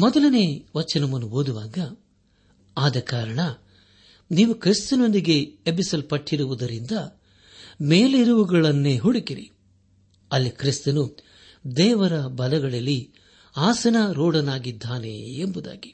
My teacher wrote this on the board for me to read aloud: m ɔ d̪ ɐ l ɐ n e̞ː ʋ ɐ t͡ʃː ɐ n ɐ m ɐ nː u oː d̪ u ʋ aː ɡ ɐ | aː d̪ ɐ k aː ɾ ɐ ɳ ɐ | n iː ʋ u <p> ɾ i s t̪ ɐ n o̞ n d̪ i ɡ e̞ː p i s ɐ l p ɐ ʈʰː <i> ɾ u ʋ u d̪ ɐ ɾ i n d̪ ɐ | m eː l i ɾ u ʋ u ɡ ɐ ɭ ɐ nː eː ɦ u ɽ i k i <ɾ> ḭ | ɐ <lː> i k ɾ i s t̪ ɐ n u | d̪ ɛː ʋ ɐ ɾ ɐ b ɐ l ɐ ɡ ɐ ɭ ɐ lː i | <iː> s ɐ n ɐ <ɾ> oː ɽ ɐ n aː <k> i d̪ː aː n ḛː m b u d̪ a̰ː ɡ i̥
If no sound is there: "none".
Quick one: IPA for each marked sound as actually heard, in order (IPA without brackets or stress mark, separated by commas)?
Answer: k, i, ɾ, lː, aː, ɾ, ɡ